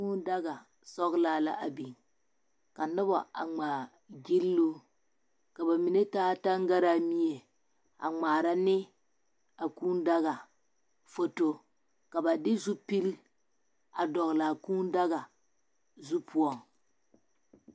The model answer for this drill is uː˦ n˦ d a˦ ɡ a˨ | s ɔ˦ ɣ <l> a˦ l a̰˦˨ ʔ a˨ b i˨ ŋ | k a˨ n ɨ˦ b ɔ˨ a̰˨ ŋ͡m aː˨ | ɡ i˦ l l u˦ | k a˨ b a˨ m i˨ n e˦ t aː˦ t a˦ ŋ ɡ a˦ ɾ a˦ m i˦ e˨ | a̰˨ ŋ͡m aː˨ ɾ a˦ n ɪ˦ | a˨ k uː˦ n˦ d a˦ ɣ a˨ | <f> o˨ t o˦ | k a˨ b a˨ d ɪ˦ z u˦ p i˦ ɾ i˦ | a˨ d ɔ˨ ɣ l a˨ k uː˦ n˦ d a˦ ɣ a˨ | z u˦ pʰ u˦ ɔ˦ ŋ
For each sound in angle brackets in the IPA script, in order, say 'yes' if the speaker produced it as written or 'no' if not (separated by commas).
yes, yes